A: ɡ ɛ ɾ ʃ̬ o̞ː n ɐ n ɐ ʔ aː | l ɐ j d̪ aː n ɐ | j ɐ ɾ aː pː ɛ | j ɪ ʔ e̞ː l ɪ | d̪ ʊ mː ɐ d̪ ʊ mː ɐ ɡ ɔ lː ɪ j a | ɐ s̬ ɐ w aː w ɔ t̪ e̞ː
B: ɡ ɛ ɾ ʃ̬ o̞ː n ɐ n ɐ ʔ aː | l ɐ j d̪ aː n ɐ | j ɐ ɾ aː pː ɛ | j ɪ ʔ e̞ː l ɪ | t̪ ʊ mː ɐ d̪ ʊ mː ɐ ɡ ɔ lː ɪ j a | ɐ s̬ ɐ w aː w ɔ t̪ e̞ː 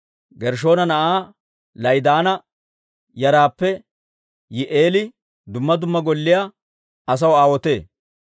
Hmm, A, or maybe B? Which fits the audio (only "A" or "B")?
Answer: A